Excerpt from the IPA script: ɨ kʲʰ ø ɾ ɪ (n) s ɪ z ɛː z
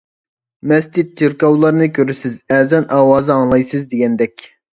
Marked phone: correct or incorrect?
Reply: incorrect